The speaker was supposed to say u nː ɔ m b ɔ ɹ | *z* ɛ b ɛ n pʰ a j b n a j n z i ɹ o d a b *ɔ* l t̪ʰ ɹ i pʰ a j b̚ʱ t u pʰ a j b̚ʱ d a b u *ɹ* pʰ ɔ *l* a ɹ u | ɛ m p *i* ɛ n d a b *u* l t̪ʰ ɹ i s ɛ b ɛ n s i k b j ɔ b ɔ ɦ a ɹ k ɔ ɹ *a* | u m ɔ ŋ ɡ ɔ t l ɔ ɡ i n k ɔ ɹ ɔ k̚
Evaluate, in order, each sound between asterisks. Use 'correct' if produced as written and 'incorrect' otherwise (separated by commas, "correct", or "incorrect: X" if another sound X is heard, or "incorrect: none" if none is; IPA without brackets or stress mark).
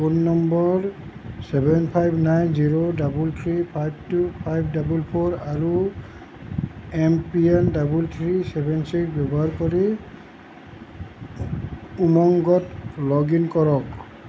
incorrect: s, incorrect: u, incorrect: l, incorrect: ɹ, correct, correct, incorrect: i